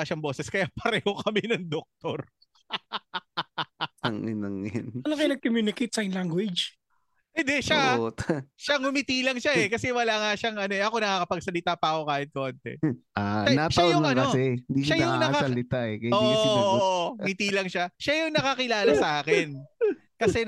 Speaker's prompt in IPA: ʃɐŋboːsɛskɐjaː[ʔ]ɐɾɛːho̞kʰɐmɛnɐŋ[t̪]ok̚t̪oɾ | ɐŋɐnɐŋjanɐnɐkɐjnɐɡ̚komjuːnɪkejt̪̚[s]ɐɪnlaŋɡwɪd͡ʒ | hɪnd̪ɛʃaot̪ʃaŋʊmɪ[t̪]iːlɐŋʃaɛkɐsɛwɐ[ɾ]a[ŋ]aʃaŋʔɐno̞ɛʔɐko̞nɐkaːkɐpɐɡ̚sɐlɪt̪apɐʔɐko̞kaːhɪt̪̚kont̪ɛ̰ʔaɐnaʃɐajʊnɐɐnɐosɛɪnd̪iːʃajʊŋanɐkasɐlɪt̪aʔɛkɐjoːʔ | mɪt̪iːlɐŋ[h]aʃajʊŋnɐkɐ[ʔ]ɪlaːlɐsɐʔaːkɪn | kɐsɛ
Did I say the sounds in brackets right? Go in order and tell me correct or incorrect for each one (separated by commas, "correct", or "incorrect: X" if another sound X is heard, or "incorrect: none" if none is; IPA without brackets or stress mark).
incorrect: p, incorrect: d̪, correct, correct, incorrect: l, correct, incorrect: ʃ, incorrect: k